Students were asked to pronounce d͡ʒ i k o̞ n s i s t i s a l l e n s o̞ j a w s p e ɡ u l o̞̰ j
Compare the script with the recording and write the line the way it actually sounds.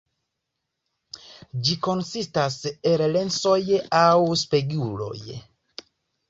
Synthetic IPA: d͡ʒ i k o̞ n s i s t a s e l l e n s o̞ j a w s p e ɡ u l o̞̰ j